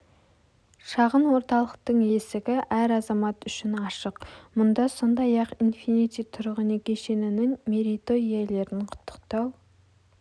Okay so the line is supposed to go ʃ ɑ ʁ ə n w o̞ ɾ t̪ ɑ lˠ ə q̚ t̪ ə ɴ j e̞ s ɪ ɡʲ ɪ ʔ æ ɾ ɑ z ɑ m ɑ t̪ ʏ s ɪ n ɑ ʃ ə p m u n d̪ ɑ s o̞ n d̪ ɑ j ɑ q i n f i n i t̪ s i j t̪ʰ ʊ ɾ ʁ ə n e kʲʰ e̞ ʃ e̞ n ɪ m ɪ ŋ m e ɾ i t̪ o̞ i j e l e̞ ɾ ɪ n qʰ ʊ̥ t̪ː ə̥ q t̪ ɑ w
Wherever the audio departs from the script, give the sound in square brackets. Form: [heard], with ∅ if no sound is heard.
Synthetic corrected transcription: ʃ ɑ ʁ ə n w o̞ ɾ t̪ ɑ lˠ ə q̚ t̪ ə ɴ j e̞ s ɪ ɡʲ ɪ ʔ æ ɾ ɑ z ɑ m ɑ t̪ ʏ [ʃ] ɪ n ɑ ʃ ə [q] m [ʊ] n d̪ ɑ s o̞ n d̪ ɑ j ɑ q i n f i n i t̪ s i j t̪ʰ ʊ ɾ ʁ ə n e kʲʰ e̞ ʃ e̞ n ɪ [n] ɪ ŋ m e ɾ i t̪ o̞ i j e l e̞ ɾ ɪ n qʰ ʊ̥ t̪ː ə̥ q t̪ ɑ w